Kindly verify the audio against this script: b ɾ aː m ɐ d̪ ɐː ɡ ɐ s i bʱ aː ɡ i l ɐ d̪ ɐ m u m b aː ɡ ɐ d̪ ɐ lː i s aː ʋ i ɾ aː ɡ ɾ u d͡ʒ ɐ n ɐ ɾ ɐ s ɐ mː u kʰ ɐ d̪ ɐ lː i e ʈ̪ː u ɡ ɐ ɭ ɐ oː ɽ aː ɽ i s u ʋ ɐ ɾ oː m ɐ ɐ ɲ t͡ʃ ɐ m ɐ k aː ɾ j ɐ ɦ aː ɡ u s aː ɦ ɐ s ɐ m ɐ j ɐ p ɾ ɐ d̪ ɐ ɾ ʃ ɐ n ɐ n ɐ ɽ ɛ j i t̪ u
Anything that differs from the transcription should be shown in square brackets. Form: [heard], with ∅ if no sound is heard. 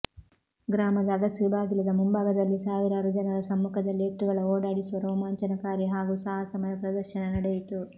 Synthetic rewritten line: [ɡ] ɾ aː m ɐ d̪ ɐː ɡ ɐ s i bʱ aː ɡ i l ɐ d̪ ɐ m u m b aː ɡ ɐ d̪ ɐ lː i s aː ʋ i ɾ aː [∅] ɾ u d͡ʒ ɐ n ɐ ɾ ɐ s ɐ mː u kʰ ɐ d̪ ɐ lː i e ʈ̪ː u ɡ ɐ ɭ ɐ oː ɽ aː ɽ i s u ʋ ɐ ɾ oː m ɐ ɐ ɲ t͡ʃ ɐ [n] ɐ k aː ɾ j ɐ ɦ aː ɡ u s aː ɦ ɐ s ɐ m ɐ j ɐ p ɾ ɐ d̪ ɐ ɾ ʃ ɐ n ɐ n ɐ ɽ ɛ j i t̪ u